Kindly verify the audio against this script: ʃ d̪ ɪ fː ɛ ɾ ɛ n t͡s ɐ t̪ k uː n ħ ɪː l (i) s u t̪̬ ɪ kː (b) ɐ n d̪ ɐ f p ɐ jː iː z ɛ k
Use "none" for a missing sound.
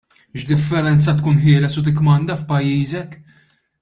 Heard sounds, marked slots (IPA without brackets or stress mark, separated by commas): ɛ, m